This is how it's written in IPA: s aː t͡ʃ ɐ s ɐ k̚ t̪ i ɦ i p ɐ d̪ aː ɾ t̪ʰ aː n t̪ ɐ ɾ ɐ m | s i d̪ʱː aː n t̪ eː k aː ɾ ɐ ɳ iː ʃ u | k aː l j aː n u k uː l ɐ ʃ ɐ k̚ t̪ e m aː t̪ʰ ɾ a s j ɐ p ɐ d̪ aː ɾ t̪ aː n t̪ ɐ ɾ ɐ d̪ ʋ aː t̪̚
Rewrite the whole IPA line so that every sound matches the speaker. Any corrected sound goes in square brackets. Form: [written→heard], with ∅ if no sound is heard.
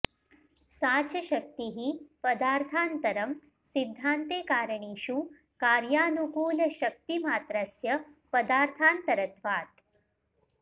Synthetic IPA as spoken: s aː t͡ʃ ɐ [s→ʃ] ɐ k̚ t̪ i ɦ i p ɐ d̪ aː ɾ t̪ʰ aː n t̪ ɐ ɾ ɐ m | s i d̪ʱː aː n t̪ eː k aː ɾ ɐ ɳ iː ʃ u | k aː [l→ɾ] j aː n u k uː l ɐ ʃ ɐ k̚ t̪ [e→i] m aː [t̪ʰ→t̪] ɾ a s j ɐ p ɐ d̪ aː ɾ [t̪→t̪ʰ] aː n t̪ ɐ ɾ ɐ [d̪→t̪] ʋ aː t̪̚